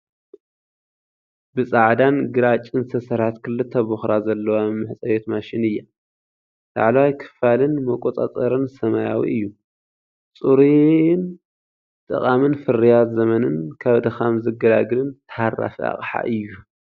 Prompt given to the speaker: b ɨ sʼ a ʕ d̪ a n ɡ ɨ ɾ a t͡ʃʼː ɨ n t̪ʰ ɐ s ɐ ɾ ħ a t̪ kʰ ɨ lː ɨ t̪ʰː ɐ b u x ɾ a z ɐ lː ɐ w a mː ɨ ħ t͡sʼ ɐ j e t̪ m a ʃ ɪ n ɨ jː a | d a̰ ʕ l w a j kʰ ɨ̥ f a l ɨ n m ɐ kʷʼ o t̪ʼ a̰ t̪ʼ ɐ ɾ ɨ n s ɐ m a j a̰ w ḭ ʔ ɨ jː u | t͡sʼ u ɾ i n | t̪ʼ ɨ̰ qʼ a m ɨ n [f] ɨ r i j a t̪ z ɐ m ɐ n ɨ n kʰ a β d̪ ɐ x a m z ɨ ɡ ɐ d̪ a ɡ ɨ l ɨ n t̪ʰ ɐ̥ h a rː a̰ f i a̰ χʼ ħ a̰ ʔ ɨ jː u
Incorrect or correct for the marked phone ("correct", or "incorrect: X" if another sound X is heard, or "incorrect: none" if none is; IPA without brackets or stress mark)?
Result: correct